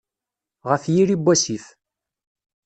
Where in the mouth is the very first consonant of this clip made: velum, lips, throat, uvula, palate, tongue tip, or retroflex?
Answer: uvula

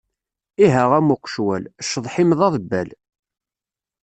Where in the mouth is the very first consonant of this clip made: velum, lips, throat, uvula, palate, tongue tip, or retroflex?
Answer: throat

